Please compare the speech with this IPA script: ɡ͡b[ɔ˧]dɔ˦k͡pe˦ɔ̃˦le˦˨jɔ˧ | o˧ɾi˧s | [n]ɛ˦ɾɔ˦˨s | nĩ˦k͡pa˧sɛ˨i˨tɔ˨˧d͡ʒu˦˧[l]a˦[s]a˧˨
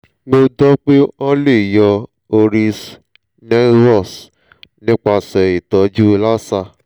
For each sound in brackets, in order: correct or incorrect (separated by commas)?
incorrect, correct, correct, correct